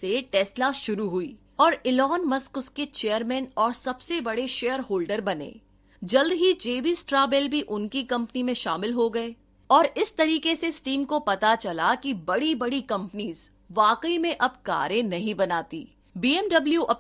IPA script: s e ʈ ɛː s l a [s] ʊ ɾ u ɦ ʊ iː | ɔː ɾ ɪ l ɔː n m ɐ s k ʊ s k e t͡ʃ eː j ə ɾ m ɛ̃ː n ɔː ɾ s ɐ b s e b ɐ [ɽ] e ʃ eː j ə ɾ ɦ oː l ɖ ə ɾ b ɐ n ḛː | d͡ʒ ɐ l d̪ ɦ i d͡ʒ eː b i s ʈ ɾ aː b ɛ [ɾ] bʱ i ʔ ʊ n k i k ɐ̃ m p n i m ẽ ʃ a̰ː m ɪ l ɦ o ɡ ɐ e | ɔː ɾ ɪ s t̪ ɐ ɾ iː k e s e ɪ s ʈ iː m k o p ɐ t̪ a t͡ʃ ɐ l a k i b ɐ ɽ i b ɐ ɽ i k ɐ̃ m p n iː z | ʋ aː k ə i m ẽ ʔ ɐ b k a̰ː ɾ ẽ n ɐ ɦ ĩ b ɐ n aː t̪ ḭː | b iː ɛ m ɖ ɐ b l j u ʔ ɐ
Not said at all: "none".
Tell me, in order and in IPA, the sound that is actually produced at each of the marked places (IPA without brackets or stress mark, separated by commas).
ʃ, ɽ, l